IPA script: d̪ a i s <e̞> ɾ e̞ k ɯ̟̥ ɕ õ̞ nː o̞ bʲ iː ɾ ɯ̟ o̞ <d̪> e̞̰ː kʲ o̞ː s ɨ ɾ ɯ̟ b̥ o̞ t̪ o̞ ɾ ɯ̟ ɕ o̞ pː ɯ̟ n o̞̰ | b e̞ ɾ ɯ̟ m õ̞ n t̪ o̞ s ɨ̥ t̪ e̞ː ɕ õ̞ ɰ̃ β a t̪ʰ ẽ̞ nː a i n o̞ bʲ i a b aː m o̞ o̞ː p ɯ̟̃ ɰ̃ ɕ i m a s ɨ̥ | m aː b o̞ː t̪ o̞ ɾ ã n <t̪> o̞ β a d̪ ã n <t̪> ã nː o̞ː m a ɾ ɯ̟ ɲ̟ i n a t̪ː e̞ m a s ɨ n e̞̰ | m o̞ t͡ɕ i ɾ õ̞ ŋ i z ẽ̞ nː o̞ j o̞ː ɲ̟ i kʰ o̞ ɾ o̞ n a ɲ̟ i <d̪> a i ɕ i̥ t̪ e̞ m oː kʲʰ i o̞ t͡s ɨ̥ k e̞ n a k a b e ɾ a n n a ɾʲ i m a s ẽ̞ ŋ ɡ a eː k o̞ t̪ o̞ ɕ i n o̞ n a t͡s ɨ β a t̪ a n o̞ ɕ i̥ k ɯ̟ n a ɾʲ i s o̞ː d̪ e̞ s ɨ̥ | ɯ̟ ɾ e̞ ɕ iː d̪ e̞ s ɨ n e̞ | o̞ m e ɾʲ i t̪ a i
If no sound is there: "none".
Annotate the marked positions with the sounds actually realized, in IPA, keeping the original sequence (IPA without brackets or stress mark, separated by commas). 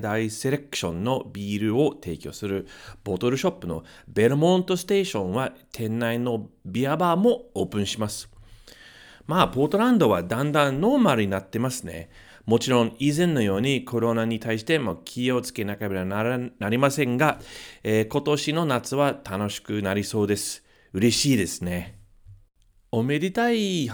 e̞, t̪, d̪, d̪, t̪